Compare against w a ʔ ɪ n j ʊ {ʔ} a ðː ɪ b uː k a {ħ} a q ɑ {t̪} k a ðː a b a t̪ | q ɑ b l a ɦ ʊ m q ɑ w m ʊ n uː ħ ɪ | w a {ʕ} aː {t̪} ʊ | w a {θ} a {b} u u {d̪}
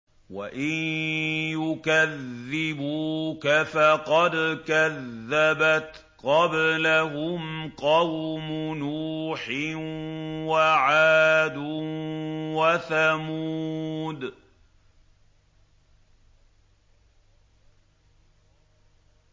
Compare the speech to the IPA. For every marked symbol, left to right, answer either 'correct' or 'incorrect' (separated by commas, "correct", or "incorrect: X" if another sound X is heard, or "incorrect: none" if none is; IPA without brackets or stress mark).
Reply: incorrect: k, incorrect: f, incorrect: d̪, correct, incorrect: d̪, correct, incorrect: m, correct